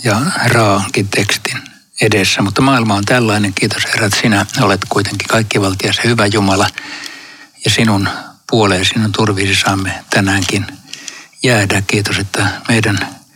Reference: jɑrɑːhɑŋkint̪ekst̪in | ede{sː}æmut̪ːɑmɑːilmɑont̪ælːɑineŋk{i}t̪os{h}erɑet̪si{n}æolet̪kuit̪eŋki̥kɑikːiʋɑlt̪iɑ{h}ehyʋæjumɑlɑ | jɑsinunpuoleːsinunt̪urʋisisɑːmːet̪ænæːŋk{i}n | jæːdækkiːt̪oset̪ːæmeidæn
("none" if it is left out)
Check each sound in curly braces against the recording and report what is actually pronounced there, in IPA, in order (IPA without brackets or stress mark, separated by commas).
sː, iː, h, n, s, i